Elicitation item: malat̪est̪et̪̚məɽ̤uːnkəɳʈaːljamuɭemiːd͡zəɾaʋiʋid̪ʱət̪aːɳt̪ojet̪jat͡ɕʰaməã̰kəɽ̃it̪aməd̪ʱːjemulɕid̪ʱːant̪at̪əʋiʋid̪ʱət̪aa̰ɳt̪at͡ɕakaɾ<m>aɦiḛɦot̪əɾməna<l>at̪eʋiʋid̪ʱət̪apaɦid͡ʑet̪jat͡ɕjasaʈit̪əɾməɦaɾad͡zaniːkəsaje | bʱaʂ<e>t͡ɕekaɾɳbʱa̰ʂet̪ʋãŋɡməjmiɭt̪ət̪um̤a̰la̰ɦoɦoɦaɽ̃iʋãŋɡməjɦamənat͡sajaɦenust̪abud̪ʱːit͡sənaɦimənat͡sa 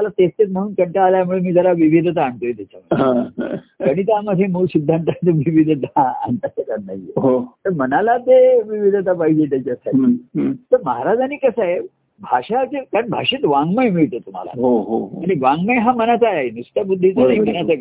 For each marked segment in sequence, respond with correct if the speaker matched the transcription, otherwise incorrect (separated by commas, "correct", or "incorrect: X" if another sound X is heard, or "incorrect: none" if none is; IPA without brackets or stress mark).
incorrect: n, correct, incorrect: a